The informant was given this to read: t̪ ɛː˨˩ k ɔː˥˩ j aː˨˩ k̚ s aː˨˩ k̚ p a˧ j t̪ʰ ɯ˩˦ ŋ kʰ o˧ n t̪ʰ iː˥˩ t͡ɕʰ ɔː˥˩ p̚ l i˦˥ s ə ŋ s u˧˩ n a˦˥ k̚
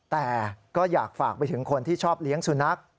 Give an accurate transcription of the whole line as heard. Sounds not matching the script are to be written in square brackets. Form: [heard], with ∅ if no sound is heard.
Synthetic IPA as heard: t̪ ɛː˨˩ k ɔː˥˩ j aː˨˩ k̚ [f] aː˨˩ k̚ p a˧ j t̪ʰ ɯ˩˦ ŋ kʰ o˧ n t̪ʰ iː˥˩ t͡ɕʰ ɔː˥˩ p̚ l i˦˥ [∅] ə ŋ s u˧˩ n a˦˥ k̚